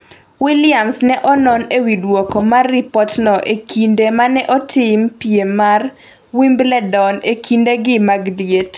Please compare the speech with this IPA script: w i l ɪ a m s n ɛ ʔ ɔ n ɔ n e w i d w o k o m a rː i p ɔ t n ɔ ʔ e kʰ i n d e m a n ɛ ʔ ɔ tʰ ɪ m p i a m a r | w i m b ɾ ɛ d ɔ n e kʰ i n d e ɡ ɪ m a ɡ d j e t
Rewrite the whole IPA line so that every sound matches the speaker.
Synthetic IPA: w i l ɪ a m s n ɛ ʔ ɔ n ɔ n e w i d w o k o m a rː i p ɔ t n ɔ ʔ e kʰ i n d e m a n ɛ ʔ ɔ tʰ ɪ m p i e m a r | w i m b l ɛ d ɔ n e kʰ i n d e ɡ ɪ m a ɡ d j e t